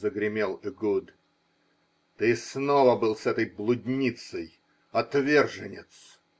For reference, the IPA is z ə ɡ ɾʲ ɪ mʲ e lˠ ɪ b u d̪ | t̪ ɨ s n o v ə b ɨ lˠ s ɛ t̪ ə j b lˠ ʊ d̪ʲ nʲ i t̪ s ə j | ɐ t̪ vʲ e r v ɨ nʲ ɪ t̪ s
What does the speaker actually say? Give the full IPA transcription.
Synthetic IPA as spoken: z ə ɡ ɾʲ ɪ mʲ e lˠ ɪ ɡ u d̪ | t̪ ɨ s n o v ə b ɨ lˠ s ɛ t̪ ə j b lˠ ʊ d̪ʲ nʲ i t̪ s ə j | ɐ t̪ vʲ e r ʐ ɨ nʲ ɪ t̪ s